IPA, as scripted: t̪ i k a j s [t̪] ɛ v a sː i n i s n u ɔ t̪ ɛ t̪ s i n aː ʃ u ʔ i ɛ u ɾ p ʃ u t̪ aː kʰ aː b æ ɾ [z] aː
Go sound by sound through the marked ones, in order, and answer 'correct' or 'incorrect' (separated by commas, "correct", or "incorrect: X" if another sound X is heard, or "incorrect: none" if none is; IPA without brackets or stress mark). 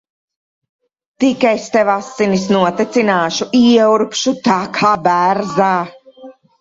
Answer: correct, correct